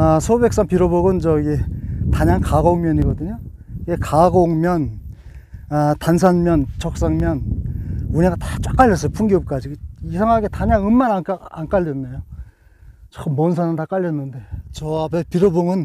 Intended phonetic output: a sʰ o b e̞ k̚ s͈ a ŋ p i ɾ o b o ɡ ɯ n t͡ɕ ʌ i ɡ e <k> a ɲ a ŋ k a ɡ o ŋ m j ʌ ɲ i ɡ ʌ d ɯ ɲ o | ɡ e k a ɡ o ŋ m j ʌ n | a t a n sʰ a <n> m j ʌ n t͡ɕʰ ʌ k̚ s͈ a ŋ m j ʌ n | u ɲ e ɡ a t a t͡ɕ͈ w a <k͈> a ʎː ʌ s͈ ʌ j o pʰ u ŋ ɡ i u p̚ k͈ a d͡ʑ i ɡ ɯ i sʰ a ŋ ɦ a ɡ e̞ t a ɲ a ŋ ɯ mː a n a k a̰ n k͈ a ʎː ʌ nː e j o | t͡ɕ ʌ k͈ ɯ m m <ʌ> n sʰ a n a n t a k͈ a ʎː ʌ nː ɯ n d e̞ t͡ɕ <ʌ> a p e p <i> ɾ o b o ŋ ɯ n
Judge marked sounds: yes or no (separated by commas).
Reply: no, yes, yes, yes, yes, yes